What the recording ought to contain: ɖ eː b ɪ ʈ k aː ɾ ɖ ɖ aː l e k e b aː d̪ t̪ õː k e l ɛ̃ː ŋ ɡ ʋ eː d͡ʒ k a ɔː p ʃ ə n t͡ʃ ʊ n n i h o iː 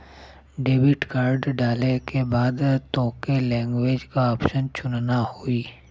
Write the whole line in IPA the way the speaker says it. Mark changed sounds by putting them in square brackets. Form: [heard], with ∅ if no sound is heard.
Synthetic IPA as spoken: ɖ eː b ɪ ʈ k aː ɾ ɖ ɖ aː l e k e b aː d̪ t̪ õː k e l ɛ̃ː ŋ ɡ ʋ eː d͡ʒ k a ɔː p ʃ ə n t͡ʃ ʊ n n [a] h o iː